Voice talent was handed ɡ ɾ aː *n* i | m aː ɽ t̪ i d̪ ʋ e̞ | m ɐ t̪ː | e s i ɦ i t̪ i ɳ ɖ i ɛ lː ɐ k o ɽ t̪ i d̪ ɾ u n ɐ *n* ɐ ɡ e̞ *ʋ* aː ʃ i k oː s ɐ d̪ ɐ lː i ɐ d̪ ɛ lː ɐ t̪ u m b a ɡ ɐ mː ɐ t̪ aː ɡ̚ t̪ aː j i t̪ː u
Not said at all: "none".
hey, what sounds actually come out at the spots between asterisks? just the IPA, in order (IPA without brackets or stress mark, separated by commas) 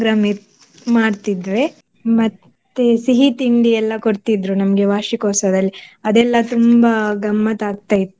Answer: m, m, ʋ